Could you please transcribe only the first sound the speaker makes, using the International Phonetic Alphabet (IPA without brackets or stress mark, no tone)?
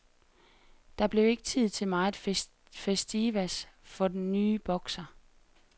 d̥